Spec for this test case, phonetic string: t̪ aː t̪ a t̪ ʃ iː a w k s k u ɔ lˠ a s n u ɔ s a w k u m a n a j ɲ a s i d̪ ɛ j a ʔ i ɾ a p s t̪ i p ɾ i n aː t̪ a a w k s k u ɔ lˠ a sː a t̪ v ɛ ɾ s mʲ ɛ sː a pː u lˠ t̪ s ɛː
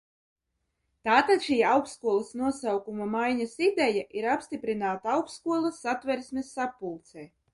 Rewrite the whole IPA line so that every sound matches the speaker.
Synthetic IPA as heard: t̪ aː t̪ a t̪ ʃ iː a w k s k u ɔ lˠ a s n u ɔ s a w k u m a m a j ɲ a s i d̪ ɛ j a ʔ i ɾ a p s t̪ i p ɾ i n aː t̪ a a w k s k u ɔ lˠ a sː a t̪ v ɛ ɾ s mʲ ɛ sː a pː u lˠ t̪ s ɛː